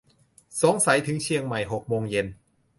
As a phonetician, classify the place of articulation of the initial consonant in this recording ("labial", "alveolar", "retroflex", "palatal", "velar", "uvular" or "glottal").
alveolar